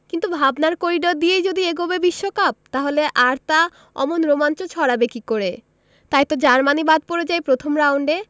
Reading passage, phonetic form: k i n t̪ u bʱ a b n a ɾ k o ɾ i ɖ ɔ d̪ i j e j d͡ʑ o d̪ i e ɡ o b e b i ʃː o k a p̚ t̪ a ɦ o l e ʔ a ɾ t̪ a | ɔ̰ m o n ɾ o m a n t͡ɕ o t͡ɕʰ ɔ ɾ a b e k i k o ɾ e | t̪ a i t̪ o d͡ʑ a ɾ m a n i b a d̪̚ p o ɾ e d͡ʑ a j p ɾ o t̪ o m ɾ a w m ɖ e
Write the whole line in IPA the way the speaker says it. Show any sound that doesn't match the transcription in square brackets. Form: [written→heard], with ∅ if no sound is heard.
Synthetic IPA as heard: k i n t̪ u bʱ a b n a ɾ k o ɾ i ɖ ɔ d̪ i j e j d͡ʑ o d̪ i e ɡ o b e b i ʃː o k a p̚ t̪ a ɦ o l e ʔ a ɾ t̪ a | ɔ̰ m o n ɾ o m a n t͡ɕ o t͡ɕʰ ɔ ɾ a b e k i k o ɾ e | t̪ a [i→j] t̪ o d͡ʑ a ɾ m a n i b a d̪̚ p o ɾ e d͡ʑ a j p ɾ o [t̪→t̪ʰ] o m ɾ a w [m→ɳ] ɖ e